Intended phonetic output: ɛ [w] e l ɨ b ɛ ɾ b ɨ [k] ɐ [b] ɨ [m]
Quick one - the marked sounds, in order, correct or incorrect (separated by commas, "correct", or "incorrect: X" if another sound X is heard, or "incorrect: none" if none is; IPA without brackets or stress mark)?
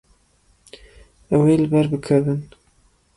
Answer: correct, incorrect: kʰ, incorrect: v, incorrect: n